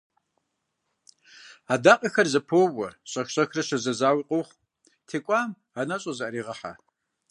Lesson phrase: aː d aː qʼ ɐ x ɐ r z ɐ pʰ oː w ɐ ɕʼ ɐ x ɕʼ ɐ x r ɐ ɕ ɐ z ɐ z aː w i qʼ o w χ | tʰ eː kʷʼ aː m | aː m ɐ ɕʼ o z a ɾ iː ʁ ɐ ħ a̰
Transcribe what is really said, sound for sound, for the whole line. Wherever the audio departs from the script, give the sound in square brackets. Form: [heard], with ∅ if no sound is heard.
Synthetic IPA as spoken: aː d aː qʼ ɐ x ɐ r z ɐ pʰ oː w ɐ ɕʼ ɐ x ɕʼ ɐ x r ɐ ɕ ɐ z ɐ z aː w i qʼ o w χ | tʰ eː kʷʼ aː m | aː [n] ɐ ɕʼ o z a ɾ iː ʁ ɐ ħ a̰